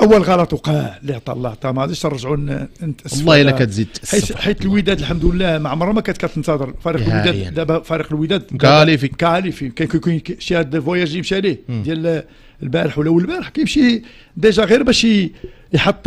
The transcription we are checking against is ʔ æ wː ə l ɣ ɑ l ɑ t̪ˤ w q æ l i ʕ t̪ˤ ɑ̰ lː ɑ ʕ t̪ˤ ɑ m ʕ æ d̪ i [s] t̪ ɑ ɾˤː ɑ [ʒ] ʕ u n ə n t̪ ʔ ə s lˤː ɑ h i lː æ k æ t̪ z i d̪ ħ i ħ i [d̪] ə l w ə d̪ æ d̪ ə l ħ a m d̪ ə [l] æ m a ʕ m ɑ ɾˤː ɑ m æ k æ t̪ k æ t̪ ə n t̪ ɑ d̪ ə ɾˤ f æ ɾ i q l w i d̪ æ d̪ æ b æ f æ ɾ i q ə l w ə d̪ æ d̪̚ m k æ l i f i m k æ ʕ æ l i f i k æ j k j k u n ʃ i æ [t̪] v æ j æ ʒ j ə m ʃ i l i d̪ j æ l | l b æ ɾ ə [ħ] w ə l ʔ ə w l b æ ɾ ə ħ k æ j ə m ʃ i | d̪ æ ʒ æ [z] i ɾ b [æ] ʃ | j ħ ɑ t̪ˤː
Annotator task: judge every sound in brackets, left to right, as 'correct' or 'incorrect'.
incorrect: ʃ, correct, incorrect: t̪, incorrect: lː, incorrect: d̪, correct, incorrect: ɣ, correct

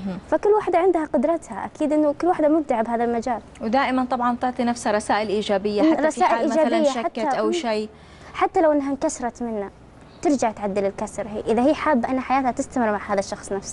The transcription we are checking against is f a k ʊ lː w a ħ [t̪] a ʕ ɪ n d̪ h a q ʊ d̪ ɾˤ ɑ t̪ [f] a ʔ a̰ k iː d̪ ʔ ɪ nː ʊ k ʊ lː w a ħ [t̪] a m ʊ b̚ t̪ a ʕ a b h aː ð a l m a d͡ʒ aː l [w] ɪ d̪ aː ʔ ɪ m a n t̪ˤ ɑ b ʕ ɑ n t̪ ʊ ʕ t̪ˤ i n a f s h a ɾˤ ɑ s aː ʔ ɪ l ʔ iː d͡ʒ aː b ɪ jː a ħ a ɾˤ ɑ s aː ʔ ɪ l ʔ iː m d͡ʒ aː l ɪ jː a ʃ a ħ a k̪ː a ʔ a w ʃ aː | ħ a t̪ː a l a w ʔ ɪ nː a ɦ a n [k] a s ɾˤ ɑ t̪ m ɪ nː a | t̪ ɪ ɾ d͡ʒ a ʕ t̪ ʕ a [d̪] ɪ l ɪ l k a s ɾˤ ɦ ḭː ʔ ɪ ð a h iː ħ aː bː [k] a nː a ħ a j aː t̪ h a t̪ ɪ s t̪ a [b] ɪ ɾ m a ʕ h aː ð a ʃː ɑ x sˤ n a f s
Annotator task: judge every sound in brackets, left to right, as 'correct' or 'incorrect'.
incorrect: d̪, incorrect: h, incorrect: d̪, correct, correct, incorrect: d̪ː, incorrect: ʔ, incorrect: m

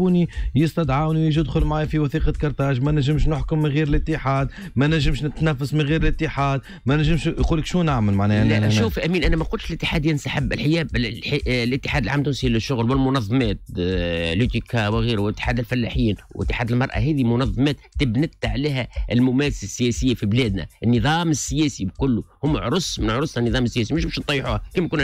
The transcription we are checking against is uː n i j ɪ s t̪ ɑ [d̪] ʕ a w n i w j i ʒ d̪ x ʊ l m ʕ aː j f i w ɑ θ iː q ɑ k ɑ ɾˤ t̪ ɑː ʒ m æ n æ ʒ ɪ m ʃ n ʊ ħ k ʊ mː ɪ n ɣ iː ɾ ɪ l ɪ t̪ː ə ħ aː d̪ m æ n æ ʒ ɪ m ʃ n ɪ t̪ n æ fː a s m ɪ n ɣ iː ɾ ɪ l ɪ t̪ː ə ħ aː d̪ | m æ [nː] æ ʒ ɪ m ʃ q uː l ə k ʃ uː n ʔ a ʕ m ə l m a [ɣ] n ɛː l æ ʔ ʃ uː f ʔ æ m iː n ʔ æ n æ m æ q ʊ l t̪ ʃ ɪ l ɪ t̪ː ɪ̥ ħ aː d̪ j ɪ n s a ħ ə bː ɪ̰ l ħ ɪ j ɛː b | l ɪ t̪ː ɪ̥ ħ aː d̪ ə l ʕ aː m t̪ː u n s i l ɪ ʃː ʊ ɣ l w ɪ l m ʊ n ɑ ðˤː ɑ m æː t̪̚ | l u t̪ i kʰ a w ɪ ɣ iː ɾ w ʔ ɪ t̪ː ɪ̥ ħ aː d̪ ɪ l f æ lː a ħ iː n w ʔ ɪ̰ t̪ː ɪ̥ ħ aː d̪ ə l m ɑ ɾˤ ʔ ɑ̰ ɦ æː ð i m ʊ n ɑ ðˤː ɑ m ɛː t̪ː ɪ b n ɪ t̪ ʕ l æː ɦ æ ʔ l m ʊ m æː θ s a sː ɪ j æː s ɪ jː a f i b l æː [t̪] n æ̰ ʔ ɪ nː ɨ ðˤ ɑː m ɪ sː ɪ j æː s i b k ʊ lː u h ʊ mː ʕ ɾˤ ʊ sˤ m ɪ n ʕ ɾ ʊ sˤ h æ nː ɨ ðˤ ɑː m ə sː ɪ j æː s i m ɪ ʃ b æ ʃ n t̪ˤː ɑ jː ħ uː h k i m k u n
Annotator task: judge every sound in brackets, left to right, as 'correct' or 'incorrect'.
correct, incorrect: n, incorrect: ʕ, incorrect: d̪

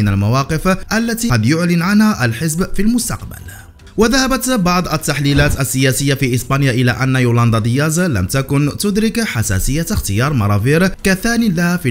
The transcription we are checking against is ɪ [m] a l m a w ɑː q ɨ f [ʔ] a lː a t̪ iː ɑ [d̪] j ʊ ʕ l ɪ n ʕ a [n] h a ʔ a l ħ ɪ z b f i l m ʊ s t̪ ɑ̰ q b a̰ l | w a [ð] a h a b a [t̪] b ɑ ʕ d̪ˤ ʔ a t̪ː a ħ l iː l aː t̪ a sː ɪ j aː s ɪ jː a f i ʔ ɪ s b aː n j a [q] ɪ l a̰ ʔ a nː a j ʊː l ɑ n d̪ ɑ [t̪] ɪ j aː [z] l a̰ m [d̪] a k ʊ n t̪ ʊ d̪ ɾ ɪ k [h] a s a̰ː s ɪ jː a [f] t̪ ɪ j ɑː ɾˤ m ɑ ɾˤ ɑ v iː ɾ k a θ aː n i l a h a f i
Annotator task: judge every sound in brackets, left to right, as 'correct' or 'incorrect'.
incorrect: n, correct, correct, correct, correct, correct, incorrect: ʔ, incorrect: d̪, correct, incorrect: t̪, incorrect: ħ, incorrect: x

